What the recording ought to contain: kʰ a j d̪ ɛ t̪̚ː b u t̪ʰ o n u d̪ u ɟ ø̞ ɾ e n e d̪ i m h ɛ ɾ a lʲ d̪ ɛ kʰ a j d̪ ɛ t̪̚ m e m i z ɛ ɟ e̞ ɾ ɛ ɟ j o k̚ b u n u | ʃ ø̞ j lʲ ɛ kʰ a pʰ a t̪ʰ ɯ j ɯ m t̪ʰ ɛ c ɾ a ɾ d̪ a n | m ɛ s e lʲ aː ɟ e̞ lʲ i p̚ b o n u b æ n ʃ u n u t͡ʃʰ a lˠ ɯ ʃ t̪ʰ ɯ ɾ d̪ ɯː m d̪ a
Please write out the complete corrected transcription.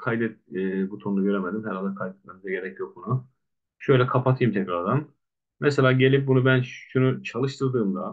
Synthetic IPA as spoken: kʰ a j d̪ ɛ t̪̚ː b u t̪ʰ o n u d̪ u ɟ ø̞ ɾ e m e d̪ i m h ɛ ɾ a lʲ d̪ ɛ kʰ a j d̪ ɛ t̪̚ m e m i z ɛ ɟ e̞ ɾ ɛ c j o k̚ b u n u | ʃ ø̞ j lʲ ɛ kʰ a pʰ a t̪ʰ ɯ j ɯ m t̪ʰ ɛ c ɾ a ɾ d̪ a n | m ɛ s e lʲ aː ɟ e̞ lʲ i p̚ b u n u b æ n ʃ u n u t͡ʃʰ a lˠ ɯ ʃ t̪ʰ ɯ ɾ d̪ ɯː m d̪ a